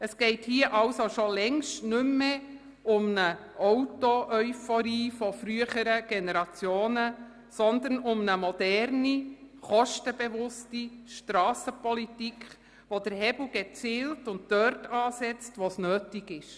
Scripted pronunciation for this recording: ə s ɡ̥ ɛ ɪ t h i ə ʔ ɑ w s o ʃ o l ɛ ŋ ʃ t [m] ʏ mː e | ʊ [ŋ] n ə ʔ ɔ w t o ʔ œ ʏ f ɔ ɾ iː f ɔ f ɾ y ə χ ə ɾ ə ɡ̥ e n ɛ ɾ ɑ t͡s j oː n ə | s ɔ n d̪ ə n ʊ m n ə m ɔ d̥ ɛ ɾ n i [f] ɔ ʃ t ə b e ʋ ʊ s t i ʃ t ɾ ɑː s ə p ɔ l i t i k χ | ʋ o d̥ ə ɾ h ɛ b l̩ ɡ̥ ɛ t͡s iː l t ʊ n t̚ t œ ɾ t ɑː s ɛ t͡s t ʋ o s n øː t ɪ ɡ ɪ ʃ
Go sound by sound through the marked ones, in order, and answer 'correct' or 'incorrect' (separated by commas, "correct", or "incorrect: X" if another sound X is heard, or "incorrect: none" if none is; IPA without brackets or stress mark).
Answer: incorrect: n, incorrect: m, incorrect: χ